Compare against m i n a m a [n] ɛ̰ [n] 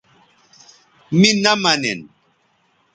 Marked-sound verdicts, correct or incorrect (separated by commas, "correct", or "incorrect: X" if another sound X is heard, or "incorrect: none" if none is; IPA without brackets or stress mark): correct, correct